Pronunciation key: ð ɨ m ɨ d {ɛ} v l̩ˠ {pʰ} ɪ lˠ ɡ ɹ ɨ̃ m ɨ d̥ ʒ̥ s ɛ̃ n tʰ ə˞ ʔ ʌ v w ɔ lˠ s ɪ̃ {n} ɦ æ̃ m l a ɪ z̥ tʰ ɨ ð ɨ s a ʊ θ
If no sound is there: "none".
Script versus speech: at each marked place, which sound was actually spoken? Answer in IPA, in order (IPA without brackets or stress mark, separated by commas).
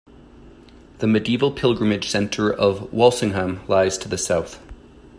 i, pʰ, ŋ